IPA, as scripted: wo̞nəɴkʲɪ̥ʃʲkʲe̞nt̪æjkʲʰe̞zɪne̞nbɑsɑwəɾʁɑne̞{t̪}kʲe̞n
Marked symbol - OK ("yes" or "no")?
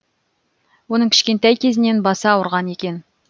no